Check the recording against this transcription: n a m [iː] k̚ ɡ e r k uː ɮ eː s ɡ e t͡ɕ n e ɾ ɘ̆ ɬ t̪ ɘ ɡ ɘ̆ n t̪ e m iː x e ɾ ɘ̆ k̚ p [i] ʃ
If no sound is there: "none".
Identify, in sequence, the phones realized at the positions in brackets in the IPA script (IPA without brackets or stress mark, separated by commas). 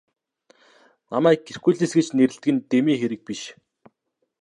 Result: æː, i